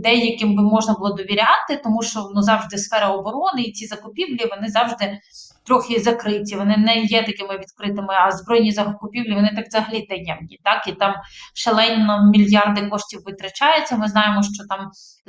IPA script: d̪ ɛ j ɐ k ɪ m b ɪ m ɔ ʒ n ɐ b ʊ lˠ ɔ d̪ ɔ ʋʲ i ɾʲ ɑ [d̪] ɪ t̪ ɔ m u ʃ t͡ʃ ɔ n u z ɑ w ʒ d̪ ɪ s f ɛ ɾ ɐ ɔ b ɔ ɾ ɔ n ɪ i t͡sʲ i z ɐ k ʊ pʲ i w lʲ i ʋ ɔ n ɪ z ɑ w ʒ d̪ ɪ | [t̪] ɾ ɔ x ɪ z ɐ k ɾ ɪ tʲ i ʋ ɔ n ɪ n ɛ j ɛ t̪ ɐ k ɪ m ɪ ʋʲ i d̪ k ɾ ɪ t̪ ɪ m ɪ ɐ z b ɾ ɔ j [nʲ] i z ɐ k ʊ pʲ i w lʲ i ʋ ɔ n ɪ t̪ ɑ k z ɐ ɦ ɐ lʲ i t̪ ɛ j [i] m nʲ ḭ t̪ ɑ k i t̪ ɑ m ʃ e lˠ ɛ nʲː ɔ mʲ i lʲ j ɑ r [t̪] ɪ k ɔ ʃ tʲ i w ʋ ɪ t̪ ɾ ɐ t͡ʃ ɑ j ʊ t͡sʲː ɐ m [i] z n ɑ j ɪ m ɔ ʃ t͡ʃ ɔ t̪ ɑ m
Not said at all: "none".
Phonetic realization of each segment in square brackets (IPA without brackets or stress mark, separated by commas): t̪, t̪, nʲ, ɛ, d̪, ɪ